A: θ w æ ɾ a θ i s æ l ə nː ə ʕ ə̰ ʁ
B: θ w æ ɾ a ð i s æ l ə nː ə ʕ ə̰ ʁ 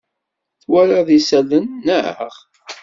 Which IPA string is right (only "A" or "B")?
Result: B